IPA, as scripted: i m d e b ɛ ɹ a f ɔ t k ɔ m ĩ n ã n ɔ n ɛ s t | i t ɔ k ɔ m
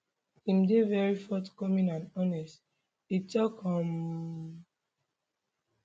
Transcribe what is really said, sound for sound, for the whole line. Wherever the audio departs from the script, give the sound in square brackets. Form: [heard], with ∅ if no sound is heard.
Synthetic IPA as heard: i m d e [v] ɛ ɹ [i] f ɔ t k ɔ m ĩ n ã n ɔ n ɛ s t | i t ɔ k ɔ m

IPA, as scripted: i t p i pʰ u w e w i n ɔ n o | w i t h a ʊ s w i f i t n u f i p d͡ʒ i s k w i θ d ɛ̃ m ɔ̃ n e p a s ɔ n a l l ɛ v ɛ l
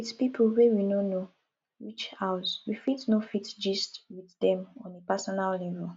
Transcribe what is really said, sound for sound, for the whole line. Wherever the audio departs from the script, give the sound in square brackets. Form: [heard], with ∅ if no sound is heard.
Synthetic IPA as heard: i t p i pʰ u w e w i n [o] n o | w i [t͡ʃ] h a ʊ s w i f i t n [o] f i [t] d͡ʒ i s [t] w i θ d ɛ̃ m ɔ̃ n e p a s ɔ n a l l ɛ v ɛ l

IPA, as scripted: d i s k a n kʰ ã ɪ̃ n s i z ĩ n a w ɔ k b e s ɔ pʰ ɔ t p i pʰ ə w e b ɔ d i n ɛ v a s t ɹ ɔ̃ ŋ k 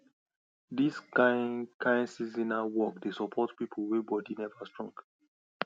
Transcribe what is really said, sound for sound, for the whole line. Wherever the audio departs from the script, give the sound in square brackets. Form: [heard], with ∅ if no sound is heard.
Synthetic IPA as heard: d i s k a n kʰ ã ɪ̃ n s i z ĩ n a w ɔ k [d] e s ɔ pʰ ɔ t p i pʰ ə w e b ɔ d i n ɛ v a s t ɹ ɔ̃ ŋ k

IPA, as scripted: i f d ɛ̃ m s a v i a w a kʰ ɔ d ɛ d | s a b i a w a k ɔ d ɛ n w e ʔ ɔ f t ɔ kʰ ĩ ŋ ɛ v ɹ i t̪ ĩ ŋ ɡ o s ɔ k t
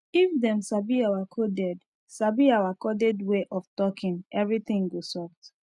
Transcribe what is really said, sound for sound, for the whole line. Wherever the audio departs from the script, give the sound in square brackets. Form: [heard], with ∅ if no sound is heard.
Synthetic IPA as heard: i f d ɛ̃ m s a [b] i a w a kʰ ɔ d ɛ d | s a b i a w a k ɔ d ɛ [d] w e ʔ ɔ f t ɔ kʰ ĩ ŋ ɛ v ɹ i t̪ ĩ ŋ ɡ o s ɔ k t

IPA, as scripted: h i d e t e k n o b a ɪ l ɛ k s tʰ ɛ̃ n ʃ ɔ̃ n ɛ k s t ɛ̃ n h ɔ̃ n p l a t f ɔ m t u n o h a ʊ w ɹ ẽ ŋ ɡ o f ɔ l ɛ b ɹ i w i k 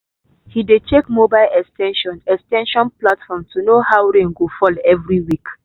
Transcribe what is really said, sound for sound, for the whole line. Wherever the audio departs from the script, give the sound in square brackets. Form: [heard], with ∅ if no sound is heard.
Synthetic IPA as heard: h i d e [t͡ʃ] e k [m] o b a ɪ l ɛ k s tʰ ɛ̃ n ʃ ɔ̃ n ɛ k s t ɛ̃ n [ʃ] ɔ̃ n p l a t f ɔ m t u n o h a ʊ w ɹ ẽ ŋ ɡ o f ɔ l ɛ [v] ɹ i w i k

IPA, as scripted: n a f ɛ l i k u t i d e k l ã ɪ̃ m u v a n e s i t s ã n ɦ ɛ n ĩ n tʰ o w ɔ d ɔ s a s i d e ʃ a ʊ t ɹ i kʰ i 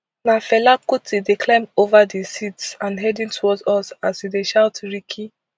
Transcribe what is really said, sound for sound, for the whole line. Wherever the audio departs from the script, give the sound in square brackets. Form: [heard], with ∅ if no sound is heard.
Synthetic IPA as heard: n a f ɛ l [a] k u t i d e k l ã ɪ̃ m [o] v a [d] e s i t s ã n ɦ ɛ [d] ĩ n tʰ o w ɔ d ɔ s a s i d e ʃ a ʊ t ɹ i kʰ i

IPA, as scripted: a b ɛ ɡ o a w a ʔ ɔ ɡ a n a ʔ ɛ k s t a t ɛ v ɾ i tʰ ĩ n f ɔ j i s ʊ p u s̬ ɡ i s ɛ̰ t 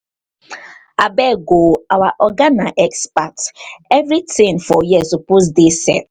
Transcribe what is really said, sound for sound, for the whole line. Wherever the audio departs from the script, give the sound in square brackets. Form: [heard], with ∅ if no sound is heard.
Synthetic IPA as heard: a b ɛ ɡ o a w a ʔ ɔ ɡ a n a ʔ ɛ k s [p] a t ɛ v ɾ i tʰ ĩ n f ɔ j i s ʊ p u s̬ [d] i s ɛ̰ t

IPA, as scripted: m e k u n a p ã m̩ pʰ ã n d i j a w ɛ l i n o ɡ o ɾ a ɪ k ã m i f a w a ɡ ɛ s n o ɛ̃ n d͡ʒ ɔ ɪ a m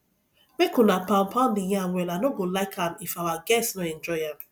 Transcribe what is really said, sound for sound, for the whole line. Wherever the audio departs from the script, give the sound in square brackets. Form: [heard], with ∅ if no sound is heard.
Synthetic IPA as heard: m e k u n a p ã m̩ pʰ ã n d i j a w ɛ l [a] n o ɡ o [l] a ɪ k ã m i f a w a ɡ ɛ s n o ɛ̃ n d͡ʒ ɔ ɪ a m

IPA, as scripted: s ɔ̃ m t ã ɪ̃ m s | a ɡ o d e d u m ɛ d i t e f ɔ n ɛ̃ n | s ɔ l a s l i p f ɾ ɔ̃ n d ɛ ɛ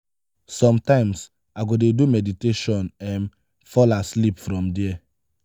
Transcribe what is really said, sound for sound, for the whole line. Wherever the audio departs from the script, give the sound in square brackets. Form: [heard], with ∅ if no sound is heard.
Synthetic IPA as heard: s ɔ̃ m t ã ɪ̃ m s | a ɡ o d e d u m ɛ d i t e [ʃ] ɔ n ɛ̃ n | [f] ɔ l a s l i p f ɾ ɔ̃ [m] d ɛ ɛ

